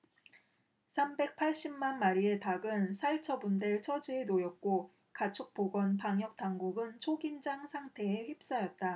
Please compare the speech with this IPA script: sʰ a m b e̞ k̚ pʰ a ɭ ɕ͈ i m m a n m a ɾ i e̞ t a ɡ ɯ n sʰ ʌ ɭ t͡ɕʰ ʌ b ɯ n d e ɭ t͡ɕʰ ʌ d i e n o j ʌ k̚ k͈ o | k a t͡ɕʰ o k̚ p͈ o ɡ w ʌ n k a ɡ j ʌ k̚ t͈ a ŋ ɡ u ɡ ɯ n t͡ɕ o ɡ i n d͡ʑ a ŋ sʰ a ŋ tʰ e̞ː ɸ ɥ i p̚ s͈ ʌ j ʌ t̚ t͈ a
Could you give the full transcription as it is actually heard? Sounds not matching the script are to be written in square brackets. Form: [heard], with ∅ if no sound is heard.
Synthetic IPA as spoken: sʰ a m b e̞ k̚ pʰ a ɭ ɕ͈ i m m a n m a ɾ i e̞ t a ɡ ɯ n sʰ [a] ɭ t͡ɕʰ ʌ b [u] n d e ɭ t͡ɕʰ ʌ [d͡ʑ] i e n o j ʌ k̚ k͈ o | k a t͡ɕʰ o k̚ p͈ o ɡ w ʌ n [p] a [ŋ] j ʌ k̚ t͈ a ŋ ɡ u ɡ ɯ n [t͡ɕʰ] o ɡ i n d͡ʑ a ŋ sʰ a ŋ tʰ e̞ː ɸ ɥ i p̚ s͈ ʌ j ʌ t̚ t͈ a